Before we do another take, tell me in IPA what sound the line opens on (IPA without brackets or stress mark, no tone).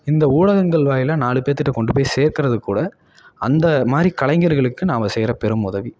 ɪ